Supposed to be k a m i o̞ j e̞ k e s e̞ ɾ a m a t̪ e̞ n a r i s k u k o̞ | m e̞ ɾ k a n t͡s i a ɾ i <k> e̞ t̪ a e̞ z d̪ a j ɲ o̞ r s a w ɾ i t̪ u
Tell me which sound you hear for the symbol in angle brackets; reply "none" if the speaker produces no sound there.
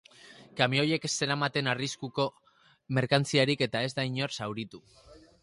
k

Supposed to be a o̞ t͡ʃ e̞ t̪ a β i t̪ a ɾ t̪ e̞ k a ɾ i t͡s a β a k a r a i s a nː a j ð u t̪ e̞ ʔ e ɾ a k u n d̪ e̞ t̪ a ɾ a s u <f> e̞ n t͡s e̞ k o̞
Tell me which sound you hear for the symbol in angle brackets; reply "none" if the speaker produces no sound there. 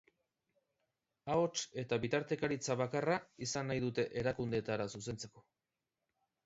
s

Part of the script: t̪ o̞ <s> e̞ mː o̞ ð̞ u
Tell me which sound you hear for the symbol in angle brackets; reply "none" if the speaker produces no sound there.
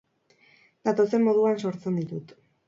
s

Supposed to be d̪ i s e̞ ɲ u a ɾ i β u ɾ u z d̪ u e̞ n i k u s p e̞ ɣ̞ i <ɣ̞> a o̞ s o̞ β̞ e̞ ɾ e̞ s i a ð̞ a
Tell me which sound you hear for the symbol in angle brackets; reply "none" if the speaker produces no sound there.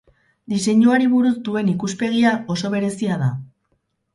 none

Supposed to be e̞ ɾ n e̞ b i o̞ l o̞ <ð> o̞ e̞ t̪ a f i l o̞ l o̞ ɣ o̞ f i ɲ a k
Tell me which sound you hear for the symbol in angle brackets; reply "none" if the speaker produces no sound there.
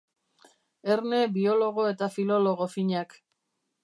ɣ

